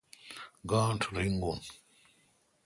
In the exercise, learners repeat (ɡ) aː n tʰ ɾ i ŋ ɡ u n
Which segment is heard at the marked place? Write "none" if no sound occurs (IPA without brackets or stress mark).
ɡ